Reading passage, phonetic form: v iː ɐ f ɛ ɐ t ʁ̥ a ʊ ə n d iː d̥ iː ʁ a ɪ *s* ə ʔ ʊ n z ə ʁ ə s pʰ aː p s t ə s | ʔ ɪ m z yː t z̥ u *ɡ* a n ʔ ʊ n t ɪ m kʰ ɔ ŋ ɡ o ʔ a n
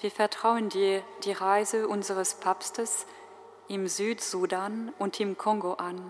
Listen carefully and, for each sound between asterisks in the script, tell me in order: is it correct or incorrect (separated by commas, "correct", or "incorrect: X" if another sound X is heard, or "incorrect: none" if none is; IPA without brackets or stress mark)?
incorrect: z, incorrect: d